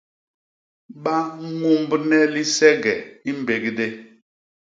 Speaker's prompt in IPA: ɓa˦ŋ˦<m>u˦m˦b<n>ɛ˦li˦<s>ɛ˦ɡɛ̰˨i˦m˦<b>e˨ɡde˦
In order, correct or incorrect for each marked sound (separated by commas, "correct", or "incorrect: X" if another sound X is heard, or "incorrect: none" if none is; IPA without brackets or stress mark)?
incorrect: ŋ, correct, correct, correct